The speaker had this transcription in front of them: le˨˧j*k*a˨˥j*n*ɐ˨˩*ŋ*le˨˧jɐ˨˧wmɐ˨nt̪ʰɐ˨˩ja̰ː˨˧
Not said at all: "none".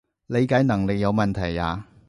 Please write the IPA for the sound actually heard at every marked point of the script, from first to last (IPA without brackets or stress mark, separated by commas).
k, n, ŋ